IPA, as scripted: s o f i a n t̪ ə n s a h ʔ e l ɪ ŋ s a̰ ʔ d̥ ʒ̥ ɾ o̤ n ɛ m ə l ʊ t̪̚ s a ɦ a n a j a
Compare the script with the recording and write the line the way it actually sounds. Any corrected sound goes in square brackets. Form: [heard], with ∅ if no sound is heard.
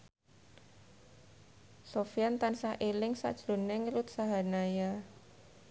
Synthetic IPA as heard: s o f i a n t̪ [a] n s a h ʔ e l ɪ ŋ s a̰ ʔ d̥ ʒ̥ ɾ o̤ n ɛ [ŋ] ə l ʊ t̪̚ s a ɦ a n a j a